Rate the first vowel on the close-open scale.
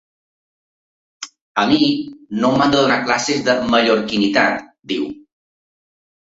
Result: mid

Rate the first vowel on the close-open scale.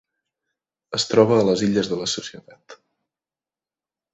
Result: mid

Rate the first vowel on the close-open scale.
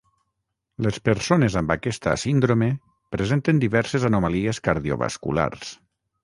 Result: mid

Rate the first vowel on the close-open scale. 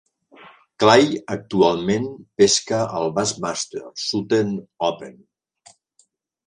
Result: open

